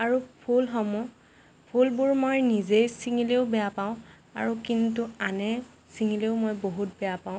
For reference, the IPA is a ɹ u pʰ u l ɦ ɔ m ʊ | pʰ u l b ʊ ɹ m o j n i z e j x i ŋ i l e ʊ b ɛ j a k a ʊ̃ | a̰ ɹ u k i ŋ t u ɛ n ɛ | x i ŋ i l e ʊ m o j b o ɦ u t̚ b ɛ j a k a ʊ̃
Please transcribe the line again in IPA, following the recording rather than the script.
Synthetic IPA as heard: a ɹ u pʰ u l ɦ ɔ m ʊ | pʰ u l b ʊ ɹ m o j n i z e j s i ŋ i l e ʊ b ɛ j a p a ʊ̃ | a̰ ɹ u k i n t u a n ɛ | s i ŋ i l e ʊ m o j b o ɦ u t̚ b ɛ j a p a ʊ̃